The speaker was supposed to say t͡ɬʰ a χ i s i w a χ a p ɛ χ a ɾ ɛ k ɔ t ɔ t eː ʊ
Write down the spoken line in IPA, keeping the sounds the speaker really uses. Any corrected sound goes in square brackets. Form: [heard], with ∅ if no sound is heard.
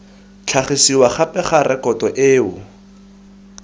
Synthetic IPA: t͡ɬʰ a χ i s i w a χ a p ɛ χ a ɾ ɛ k ɔ t ɔ [ʔ] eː ʊ